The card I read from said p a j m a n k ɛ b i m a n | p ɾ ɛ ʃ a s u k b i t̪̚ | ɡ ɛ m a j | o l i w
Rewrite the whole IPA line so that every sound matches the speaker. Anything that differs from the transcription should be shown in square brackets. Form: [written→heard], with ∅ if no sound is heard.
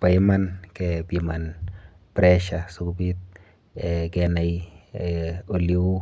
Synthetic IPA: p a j m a n k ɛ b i m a n | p ɾ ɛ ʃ a s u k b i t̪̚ | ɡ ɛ [m→n] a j | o l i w